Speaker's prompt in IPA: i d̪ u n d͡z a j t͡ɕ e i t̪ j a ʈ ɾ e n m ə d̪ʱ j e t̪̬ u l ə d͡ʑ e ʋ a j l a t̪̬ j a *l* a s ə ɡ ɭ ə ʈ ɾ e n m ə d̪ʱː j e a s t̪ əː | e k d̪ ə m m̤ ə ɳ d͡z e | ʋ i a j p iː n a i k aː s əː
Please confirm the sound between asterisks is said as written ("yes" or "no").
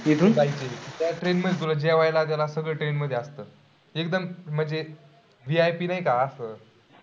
yes